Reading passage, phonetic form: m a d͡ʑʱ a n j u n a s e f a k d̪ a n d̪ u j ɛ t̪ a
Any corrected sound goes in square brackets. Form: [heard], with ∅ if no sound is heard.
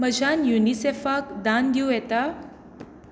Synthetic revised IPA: m [ə] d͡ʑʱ a n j u n [i] s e f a k d̪ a n d̪ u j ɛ t̪ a